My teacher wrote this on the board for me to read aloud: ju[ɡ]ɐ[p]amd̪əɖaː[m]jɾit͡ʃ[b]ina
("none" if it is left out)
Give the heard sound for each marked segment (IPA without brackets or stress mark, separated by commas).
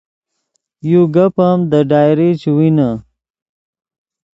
ɡ, p, none, w